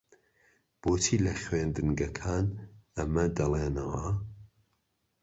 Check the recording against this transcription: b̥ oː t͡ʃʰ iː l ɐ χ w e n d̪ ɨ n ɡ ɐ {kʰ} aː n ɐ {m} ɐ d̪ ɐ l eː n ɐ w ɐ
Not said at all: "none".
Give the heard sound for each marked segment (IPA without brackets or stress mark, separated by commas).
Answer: kʰ, m